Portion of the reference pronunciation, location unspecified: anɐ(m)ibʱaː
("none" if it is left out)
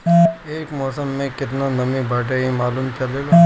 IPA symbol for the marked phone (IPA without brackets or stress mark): m